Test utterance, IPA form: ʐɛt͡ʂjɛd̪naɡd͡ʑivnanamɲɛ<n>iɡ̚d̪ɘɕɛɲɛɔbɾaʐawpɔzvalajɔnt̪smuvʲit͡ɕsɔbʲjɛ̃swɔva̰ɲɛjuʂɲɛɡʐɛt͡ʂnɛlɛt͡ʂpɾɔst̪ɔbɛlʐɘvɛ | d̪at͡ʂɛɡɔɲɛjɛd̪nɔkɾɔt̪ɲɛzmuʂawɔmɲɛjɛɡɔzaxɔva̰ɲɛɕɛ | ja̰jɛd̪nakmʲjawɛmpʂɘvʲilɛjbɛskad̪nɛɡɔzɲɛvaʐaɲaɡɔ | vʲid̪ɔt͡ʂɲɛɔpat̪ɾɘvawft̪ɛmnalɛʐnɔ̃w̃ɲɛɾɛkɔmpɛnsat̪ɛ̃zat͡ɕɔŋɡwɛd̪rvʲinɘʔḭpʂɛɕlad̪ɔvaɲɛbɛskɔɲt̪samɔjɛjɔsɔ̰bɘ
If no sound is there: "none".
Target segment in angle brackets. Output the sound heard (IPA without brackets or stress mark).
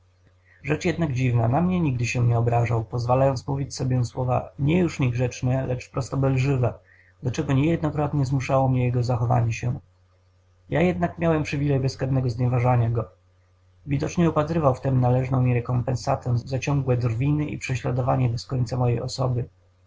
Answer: ɲ